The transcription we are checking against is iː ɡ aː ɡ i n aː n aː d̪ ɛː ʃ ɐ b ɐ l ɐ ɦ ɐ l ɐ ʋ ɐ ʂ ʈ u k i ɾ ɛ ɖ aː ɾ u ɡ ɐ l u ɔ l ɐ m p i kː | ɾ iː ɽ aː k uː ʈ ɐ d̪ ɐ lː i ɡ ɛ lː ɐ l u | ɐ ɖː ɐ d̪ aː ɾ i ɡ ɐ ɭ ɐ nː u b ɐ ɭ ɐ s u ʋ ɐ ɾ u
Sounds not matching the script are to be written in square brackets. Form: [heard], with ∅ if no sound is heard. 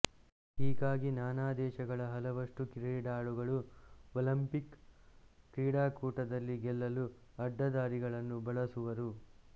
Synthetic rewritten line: iː ɡ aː ɡ i n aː n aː d̪ ɛː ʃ ɐ [ɡ] ɐ [ɭ] ɐ ɦ ɐ l ɐ ʋ ɐ ʂ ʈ u k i ɾ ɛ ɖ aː [ɭ] u ɡ ɐ [ɭ] u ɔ l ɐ m p i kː | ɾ iː ɽ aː k uː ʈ ɐ d̪ ɐ lː i ɡ ɛ lː ɐ l u | ɐ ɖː ɐ d̪ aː ɾ i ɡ ɐ ɭ ɐ nː u b ɐ ɭ ɐ s u ʋ ɐ ɾ u